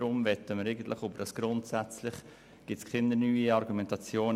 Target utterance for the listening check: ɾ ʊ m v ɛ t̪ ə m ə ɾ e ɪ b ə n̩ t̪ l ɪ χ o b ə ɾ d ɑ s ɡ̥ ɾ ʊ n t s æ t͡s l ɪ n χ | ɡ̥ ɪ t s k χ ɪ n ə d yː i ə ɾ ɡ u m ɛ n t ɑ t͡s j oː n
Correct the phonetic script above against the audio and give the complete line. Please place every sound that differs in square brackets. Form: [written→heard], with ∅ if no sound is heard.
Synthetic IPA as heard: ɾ ʊ m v ɛ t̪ ə m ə ɾ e ɪ [b→ɡ] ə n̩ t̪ l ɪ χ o b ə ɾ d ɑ s ɡ̥ ɾ ʊ n t s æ t͡s l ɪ [n→∅] χ | ɡ̥ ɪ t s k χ ɪ n ə [d→n] yː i [ə→ɑ] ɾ ɡ u m ɛ n t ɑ t͡s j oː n